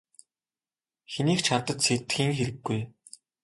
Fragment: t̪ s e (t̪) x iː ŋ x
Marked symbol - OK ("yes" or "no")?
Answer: yes